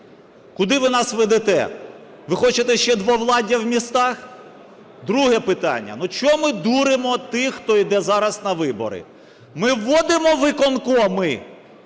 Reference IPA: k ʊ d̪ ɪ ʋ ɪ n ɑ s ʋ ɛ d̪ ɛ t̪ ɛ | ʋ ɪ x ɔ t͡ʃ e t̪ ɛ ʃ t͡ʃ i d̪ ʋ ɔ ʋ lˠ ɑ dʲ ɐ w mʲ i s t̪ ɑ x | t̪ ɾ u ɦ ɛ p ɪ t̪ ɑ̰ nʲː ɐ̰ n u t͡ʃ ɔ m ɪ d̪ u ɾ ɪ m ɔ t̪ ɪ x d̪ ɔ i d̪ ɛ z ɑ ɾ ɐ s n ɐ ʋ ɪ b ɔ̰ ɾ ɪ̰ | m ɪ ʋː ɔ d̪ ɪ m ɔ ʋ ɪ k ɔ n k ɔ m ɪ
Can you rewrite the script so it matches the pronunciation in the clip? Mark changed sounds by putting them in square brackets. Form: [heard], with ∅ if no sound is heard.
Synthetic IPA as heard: k ʊ d̪ ɪ ʋ ɪ n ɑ s ʋ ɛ d̪ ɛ t̪ ɛ | ʋ ɪ x ɔ t͡ʃ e t̪ ɛ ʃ t͡ʃ [ɛ] d̪ ʋ ɔ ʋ lˠ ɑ dʲ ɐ w mʲ i s t̪ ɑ x | [d̪] ɾ u ɦ ɛ p ɪ t̪ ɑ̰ nʲː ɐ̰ n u t͡ʃ ɔ m ɪ d̪ u ɾ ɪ m ɔ t̪ ɪ x [t̪] ɔ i d̪ ɛ z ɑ ɾ ɐ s n ɐ ʋ ɪ b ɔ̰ ɾ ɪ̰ | m ɪ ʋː ɔ d̪ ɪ m ɔ ʋ ɪ k ɔ n k ɔ m ɪ